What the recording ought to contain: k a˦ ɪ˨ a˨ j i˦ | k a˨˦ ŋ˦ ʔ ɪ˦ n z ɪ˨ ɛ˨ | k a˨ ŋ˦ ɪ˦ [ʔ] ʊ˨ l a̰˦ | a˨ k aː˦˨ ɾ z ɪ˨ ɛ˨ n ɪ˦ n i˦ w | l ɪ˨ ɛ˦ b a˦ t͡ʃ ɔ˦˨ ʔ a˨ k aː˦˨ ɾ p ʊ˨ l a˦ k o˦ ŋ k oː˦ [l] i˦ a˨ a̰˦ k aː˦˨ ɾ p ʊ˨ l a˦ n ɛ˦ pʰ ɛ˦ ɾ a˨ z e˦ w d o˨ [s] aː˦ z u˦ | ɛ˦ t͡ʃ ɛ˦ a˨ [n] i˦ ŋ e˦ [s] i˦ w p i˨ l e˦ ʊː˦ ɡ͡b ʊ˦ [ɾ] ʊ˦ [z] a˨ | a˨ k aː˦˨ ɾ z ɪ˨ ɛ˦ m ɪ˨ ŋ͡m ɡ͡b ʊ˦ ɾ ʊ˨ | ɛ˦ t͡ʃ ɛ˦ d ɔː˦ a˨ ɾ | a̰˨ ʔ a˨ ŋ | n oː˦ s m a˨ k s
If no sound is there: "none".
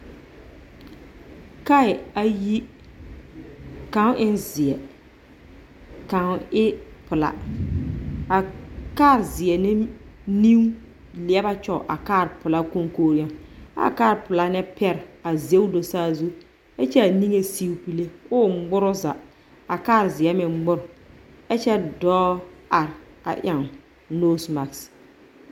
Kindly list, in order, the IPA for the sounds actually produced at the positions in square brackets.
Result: p, ɾ, s, n, s, ɾ, z

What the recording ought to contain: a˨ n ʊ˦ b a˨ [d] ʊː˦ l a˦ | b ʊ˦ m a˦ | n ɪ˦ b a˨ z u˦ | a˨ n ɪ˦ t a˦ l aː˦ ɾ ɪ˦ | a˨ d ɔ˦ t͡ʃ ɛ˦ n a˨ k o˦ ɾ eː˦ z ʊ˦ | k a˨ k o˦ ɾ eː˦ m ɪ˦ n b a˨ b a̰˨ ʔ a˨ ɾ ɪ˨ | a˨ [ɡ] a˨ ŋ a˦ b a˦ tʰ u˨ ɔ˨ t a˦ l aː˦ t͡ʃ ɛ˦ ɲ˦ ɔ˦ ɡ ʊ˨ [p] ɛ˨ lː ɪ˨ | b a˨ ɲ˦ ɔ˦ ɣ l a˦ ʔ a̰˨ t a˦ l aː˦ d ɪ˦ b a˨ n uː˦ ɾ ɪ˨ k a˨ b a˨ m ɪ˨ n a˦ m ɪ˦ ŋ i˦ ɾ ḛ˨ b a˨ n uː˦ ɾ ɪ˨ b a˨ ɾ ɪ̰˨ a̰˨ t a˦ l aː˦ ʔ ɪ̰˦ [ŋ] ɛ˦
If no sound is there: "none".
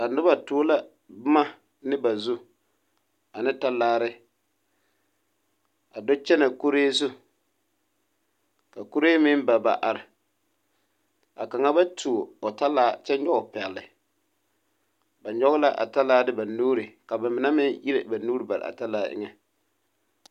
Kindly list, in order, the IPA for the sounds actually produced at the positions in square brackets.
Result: t, k, p, ŋ

